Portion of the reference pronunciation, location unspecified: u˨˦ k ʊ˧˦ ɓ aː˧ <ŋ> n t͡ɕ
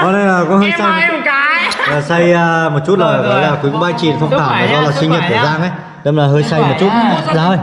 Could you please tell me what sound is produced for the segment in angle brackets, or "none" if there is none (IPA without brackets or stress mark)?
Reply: none